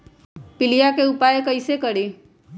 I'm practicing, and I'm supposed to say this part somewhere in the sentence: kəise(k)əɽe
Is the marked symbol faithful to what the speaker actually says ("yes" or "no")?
yes